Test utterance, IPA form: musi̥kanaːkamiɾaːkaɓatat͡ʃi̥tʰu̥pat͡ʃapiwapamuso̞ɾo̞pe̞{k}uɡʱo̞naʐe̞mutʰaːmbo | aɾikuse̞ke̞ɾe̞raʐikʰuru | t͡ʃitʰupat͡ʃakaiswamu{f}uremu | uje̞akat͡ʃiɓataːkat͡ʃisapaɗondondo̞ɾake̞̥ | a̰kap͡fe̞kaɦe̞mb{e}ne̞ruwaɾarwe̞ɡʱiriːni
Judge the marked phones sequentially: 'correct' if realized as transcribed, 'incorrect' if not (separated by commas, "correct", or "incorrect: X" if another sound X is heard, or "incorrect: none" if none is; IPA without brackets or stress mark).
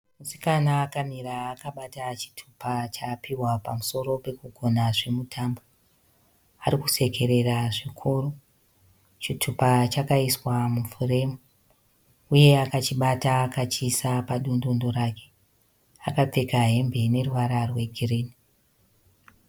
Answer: correct, correct, correct